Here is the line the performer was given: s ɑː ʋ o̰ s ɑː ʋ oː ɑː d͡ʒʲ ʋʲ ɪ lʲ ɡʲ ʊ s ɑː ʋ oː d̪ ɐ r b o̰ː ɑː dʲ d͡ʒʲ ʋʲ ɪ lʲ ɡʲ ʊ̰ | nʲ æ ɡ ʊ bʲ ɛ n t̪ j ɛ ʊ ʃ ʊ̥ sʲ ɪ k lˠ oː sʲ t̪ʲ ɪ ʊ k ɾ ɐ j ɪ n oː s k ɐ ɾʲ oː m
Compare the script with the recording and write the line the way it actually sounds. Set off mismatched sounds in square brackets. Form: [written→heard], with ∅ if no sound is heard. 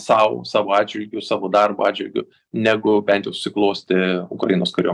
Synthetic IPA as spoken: s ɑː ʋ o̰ s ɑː ʋ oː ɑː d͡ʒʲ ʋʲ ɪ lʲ ɡʲ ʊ s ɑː ʋ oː d̪ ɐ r b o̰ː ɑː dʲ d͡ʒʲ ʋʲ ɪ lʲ ɡʲ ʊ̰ | nʲ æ ɡ ʊ bʲ ɛ n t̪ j ɛ ʊ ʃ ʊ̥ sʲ ɪ k lˠ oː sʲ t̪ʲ ɪ ʊ k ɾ ɐ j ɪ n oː s k ɐ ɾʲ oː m

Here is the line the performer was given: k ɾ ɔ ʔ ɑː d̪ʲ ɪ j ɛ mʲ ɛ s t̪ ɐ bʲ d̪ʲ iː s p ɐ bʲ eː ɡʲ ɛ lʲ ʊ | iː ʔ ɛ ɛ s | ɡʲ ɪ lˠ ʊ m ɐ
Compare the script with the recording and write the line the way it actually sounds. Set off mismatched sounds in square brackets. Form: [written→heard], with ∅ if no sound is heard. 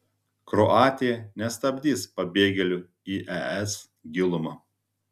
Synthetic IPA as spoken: k ɾ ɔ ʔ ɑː [d̪ʲ→t̪ʲ] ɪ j ɛ [mʲ→nʲ] ɛ s t̪ ɐ bʲ d̪ʲ iː s p ɐ bʲ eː ɡʲ ɛ lʲ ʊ | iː ʔ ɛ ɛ s | ɡʲ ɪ lˠ ʊ m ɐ

